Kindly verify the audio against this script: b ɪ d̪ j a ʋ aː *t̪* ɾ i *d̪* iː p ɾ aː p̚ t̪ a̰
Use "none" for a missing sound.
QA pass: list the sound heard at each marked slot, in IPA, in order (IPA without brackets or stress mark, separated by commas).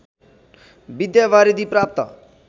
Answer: none, d̪